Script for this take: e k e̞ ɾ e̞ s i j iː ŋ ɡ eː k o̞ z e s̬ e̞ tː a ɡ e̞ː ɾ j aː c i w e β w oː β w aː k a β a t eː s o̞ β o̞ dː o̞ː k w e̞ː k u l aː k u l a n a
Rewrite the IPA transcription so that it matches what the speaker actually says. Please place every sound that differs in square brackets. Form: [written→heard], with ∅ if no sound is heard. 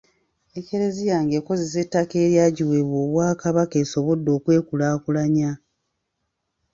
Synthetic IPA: e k e̞ ɾ e̞ [s→z] i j [iː→aː] ŋ ɡ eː k o̞ z e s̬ e̞ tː a [ɡ→k] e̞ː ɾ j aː [c→ɟ] i w e β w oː β w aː k a β a [t→k] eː s o̞ β o̞ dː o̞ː k w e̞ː k u l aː k u l a [n→ɲ] a